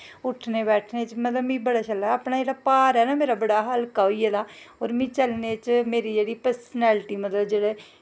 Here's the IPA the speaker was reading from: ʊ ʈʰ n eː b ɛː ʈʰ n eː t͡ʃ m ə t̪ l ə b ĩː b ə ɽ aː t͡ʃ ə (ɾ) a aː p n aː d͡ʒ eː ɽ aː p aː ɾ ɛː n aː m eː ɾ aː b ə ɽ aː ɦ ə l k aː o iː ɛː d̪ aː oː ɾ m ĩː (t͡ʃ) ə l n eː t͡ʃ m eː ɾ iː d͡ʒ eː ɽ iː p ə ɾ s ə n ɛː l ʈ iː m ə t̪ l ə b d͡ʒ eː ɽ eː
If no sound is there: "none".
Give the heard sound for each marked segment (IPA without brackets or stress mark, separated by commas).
l, t͡ʃ